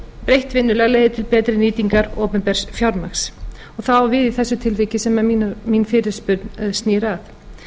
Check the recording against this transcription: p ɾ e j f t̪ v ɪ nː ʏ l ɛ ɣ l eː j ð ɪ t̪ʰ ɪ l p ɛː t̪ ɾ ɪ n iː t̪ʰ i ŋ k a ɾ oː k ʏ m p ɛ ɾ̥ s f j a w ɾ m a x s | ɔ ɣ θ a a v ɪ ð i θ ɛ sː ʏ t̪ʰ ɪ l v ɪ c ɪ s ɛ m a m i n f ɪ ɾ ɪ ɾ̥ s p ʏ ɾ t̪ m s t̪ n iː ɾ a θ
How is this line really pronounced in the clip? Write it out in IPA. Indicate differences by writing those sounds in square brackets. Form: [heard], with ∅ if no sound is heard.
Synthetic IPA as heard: p ɾ e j [h] t̪ v ɪ nː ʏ l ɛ ɣ l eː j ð ɪ t̪ʰ ɪ l p ɛː t̪ ɾ ɪ n iː [t̪] i ŋ k a ɾ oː [p] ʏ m p ɛ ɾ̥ s f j a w ɾ m a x s | ɔ ɣ θ a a v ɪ ð i θ ɛ sː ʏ t̪ʰ ɪ l v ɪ c ɪ s ɛ m a m i n f ɪ ɾ ɪ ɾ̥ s p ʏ ɾ t̪ [n] s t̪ n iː ɾ a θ